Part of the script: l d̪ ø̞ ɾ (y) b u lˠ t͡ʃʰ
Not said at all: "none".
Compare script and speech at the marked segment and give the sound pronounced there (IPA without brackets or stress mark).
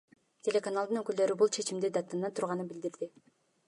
y